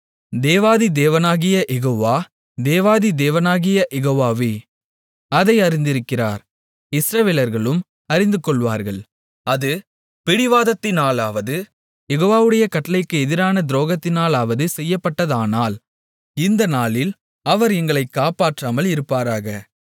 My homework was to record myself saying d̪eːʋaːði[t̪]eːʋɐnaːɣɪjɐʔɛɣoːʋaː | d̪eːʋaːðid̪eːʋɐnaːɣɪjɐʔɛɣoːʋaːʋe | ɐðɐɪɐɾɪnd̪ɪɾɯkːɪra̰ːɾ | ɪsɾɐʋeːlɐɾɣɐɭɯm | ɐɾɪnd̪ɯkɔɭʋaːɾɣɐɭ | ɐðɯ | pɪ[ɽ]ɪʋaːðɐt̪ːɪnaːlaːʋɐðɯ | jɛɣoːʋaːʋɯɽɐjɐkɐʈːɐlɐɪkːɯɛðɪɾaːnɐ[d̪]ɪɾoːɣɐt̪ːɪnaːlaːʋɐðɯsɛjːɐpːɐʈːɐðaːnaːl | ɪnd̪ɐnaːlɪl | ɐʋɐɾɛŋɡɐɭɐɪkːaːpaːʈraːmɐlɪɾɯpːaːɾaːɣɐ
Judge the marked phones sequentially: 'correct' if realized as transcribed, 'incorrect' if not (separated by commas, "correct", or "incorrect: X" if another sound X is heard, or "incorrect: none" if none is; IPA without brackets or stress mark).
incorrect: d̪, correct, correct